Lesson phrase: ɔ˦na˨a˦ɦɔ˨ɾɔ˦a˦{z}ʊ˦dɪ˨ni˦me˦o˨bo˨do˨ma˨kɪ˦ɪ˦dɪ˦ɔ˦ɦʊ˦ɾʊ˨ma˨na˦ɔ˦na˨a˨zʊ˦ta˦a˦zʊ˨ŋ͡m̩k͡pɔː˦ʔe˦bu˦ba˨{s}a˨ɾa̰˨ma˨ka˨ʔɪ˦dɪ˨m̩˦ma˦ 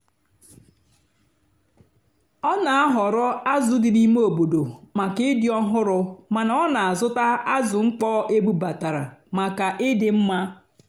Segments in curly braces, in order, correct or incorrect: correct, incorrect

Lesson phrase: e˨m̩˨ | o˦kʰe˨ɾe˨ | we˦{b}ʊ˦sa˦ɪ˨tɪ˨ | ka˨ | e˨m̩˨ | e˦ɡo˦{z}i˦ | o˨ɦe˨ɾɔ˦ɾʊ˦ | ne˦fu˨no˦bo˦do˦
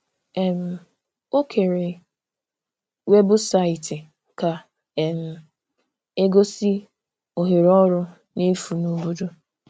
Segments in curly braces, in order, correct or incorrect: correct, incorrect

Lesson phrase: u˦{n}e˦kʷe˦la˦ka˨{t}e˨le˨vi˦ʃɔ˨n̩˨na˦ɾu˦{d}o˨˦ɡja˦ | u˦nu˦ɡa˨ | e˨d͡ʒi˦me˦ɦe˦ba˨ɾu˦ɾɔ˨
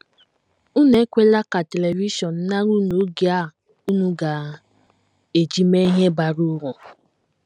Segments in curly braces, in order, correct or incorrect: correct, correct, incorrect

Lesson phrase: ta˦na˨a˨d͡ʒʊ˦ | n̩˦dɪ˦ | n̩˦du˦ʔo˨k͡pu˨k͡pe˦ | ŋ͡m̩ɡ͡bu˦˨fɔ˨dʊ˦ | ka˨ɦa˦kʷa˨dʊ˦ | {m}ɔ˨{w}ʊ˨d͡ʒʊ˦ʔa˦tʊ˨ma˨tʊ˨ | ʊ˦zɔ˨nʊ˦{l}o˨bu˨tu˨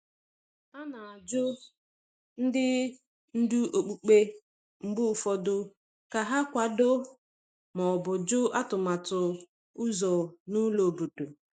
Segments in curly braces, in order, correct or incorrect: correct, incorrect, correct

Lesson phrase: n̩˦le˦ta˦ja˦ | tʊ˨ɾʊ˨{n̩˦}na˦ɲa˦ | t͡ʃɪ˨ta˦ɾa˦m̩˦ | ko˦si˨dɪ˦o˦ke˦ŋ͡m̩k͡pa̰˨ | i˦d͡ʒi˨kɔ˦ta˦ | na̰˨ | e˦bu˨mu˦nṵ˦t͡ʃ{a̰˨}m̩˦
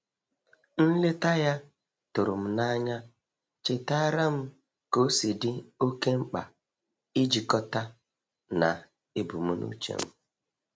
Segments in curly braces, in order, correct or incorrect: incorrect, incorrect

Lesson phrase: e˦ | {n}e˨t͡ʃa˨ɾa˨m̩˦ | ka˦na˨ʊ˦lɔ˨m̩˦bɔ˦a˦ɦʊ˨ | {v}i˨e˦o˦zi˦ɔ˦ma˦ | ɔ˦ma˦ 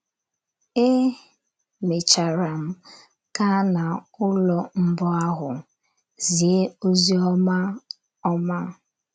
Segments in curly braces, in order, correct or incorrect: incorrect, incorrect

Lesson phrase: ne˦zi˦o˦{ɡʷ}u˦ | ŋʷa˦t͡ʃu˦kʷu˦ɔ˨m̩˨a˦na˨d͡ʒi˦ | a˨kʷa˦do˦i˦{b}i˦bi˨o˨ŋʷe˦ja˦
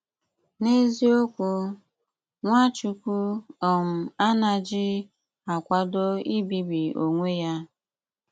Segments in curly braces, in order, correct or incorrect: incorrect, correct

